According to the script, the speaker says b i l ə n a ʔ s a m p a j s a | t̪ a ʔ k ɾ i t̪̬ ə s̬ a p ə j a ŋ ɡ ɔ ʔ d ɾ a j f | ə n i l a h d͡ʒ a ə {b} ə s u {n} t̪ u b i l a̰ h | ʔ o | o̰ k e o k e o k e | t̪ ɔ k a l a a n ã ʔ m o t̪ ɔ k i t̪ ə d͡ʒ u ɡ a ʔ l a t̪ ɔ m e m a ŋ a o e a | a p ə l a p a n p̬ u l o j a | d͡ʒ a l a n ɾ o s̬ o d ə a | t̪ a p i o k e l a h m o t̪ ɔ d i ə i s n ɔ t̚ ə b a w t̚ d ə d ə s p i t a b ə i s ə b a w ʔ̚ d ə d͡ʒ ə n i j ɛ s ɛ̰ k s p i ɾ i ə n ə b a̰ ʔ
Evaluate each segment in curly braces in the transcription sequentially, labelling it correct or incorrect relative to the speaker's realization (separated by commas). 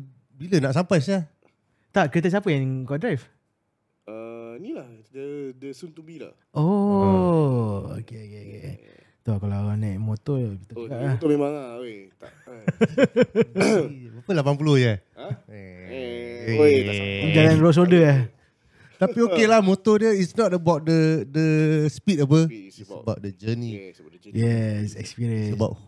incorrect, correct